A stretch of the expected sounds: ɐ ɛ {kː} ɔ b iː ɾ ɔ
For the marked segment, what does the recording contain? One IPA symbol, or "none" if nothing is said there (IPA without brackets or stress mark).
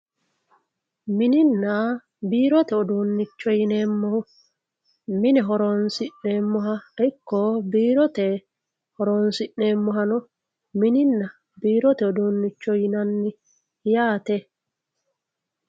kː